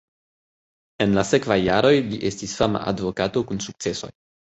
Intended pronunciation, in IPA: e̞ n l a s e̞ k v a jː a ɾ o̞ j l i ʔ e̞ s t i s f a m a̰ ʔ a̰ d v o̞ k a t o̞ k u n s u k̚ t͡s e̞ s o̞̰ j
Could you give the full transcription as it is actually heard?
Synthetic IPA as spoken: e̞ n l a s e̞ k v a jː a ɾ o̞ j l i ʔ e̞ s t i s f a m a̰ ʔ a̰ d v o̞ k a t o̞ k u n s u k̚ t͡s e̞ s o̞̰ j